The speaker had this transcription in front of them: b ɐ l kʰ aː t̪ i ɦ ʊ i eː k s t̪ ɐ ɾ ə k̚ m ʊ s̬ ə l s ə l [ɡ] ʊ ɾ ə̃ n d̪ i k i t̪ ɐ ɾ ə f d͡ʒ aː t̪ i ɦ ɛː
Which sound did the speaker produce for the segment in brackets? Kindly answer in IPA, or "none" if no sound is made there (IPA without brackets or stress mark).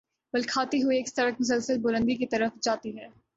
b